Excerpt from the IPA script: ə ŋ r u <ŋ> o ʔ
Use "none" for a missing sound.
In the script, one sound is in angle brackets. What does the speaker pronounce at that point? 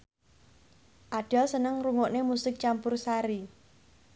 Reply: ŋ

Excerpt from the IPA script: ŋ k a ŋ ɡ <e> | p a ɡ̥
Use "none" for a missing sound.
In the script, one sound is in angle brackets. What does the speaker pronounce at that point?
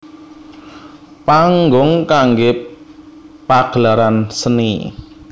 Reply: e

